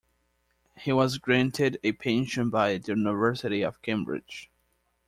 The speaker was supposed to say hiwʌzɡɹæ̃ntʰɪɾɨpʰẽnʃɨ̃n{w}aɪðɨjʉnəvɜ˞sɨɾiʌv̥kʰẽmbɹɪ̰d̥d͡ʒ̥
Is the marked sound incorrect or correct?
incorrect